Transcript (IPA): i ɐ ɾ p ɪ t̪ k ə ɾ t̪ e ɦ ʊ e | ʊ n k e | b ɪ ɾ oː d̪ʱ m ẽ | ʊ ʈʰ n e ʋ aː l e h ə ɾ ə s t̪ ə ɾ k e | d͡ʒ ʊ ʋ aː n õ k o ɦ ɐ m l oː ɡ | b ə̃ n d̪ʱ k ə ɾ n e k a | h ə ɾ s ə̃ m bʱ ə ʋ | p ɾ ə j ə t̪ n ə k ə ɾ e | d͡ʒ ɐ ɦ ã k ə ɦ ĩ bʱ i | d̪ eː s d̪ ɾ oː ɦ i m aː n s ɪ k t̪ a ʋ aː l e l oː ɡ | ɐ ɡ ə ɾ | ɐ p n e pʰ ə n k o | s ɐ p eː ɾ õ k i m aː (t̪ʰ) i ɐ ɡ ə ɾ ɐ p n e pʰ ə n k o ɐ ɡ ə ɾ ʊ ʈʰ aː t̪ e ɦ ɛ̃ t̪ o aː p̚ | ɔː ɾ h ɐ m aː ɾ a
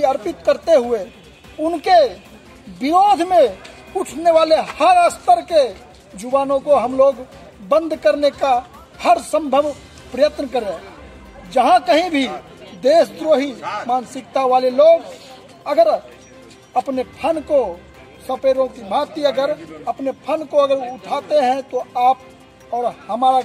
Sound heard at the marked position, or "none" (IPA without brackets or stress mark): t̪